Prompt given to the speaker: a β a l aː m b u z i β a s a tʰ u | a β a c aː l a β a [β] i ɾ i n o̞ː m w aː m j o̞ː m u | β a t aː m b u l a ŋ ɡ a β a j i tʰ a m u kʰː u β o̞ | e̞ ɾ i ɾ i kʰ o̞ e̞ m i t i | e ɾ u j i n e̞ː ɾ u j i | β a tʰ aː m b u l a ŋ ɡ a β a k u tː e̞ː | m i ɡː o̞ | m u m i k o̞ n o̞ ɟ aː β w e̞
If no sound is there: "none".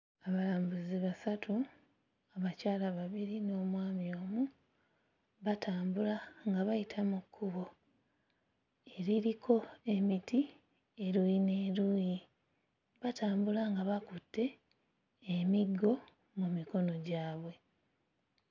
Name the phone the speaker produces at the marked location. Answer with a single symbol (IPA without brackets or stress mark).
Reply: β